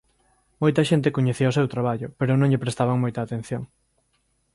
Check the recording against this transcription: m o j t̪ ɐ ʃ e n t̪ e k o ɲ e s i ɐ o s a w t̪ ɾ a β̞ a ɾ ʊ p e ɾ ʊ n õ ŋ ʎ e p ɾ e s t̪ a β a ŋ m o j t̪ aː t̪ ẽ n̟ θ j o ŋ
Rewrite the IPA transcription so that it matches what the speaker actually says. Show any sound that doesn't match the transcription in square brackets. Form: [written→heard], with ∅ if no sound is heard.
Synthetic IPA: m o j t̪ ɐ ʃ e n t̪ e k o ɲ e [s→θ] i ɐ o s [a→e] w t̪ ɾ a β̞ a [ɾ→ʎ] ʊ p e ɾ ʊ n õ ŋ ʎ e p ɾ e s t̪ a β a ŋ m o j t̪ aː t̪ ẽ n̟ θ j o ŋ

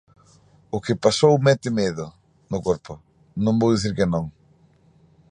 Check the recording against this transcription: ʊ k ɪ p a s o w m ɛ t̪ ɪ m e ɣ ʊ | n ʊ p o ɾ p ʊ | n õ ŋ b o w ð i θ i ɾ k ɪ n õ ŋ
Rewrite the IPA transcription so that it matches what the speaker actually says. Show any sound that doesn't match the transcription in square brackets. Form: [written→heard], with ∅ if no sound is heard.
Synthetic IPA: ʊ k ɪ p a s o w m ɛ t̪ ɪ m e [ɣ→ð] ʊ | n ʊ [p→k] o ɾ p ʊ | n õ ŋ b o w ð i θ i ɾ k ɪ n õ ŋ

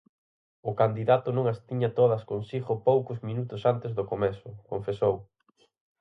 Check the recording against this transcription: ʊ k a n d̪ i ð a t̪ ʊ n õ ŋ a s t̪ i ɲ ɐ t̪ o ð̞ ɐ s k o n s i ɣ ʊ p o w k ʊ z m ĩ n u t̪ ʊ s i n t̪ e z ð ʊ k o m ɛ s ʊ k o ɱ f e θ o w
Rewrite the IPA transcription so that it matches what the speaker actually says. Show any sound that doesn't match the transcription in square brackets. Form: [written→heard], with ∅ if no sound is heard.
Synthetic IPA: ʊ k a n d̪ i ð a t̪ ʊ n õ ŋ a s t̪ i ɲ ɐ t̪ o ð̞ ɐ s k o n s i ɣ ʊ p o w k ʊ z m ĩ n u t̪ ʊ s [i→a] n t̪ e z ð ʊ k o m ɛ s ʊ k o ɱ f e [θ→s] o w

